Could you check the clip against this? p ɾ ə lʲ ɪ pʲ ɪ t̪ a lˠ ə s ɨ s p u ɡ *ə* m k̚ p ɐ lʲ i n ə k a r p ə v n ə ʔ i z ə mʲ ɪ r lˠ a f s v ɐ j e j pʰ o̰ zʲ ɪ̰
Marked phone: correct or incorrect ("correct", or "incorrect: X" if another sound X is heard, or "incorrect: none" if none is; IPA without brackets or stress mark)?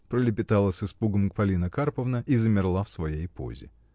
correct